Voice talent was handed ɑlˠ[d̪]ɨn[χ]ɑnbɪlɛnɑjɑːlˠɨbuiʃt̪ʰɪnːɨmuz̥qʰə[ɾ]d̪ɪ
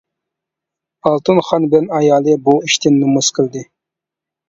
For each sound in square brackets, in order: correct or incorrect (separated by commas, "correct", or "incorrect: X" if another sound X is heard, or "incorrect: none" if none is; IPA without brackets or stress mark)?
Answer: incorrect: t̪, correct, incorrect: l